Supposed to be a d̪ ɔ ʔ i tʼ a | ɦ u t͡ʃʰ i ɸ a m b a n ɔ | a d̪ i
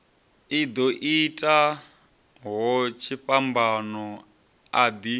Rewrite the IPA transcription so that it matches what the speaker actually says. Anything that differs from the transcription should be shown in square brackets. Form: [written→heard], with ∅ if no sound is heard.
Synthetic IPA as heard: [a→i] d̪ ɔ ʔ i tʼ a | ɦ [u→ɔ] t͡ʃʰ i ɸ a m b a n ɔ | a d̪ i